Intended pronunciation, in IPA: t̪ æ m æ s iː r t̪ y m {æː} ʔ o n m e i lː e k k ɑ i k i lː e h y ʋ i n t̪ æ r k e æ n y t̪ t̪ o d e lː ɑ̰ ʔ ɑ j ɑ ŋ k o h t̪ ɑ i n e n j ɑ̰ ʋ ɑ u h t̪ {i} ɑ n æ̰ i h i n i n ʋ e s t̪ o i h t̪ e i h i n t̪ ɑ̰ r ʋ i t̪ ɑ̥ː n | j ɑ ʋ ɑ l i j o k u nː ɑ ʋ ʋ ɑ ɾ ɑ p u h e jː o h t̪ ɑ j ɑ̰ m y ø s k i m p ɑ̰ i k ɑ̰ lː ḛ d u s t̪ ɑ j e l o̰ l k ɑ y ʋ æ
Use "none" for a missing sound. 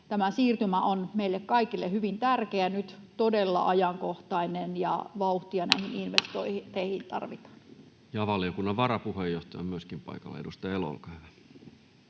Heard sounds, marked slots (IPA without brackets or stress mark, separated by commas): æ, i